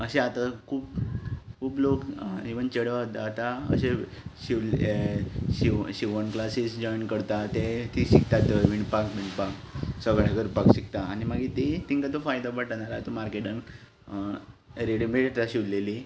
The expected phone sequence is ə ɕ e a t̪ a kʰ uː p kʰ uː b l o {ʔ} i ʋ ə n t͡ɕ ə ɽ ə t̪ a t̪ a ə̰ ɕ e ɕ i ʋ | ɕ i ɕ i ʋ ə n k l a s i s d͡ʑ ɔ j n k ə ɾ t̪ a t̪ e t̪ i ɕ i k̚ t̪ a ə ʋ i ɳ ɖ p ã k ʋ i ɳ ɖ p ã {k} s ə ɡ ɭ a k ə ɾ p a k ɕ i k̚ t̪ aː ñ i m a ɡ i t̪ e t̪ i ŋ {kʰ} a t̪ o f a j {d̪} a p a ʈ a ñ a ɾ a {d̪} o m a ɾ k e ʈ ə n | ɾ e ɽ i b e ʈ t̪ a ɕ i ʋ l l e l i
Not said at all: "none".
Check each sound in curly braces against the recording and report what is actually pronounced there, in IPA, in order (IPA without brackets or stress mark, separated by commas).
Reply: k, k, k, d̪, t̪